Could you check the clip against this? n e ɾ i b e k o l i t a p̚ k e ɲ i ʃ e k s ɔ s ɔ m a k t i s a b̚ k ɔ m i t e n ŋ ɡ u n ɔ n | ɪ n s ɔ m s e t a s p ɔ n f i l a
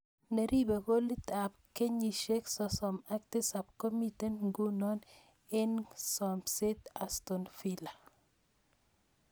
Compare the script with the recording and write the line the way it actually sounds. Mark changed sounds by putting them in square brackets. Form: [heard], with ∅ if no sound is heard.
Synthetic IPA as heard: n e ɾ i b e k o l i t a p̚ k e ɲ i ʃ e k s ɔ s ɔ m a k t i s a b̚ k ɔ m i t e n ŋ ɡ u n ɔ n | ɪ n s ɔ m s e t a s [t] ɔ n f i l a